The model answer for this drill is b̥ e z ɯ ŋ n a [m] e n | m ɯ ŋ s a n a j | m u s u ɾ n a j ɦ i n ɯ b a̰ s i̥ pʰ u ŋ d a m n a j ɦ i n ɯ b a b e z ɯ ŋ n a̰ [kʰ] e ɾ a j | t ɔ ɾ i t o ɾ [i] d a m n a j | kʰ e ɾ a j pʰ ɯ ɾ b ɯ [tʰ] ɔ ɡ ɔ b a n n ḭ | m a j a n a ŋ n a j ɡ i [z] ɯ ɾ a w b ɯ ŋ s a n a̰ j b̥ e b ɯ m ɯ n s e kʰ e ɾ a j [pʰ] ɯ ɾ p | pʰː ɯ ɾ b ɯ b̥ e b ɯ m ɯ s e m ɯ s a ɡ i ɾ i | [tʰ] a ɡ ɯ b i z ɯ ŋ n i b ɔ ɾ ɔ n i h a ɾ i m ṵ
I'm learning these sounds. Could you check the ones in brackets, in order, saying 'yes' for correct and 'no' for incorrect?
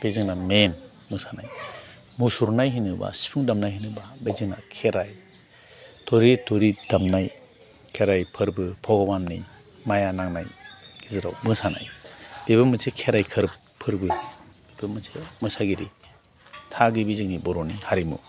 yes, yes, yes, no, yes, no, yes

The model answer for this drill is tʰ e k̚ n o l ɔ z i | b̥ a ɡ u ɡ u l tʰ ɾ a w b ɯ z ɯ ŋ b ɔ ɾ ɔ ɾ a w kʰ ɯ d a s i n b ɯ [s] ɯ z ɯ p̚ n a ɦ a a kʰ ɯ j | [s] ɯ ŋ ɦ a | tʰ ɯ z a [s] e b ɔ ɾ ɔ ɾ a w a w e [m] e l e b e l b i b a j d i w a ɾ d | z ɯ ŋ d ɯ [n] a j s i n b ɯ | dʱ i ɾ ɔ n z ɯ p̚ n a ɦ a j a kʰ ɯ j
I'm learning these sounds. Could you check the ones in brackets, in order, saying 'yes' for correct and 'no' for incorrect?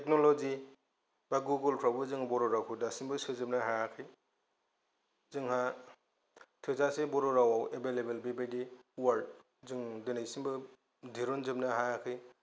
yes, no, yes, no, yes

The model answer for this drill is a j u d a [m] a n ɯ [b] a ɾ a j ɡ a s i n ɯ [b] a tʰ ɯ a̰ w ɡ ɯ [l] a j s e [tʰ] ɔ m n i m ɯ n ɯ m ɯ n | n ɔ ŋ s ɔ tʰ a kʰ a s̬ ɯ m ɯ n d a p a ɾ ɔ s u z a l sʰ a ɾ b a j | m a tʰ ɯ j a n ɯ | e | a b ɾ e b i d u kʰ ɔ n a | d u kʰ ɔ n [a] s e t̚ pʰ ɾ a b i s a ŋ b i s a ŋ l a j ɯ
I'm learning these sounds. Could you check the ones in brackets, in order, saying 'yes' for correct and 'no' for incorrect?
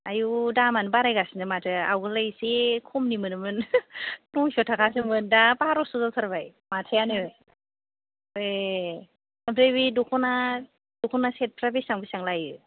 yes, yes, no, yes, no, yes

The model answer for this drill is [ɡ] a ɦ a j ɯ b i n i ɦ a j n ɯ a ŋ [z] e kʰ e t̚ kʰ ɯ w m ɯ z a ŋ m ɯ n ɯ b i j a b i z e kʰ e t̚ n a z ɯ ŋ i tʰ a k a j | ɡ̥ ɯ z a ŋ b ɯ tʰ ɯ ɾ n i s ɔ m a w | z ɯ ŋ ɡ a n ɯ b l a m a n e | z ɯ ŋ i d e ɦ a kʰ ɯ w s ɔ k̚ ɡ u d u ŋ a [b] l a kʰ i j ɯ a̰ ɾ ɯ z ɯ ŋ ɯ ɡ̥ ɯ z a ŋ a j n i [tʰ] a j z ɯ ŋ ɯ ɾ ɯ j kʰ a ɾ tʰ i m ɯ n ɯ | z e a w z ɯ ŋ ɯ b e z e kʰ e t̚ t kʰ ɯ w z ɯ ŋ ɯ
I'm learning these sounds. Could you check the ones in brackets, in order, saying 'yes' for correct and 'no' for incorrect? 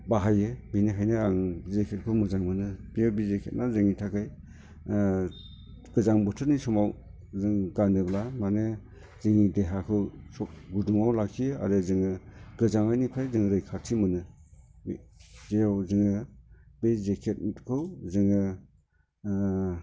no, yes, no, no

